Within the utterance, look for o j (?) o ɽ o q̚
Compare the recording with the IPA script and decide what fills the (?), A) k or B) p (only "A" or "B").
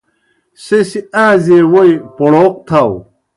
B